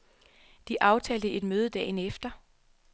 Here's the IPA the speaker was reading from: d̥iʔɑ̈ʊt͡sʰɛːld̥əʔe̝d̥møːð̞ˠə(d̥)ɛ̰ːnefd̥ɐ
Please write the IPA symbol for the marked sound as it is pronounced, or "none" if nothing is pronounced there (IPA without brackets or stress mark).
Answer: d̥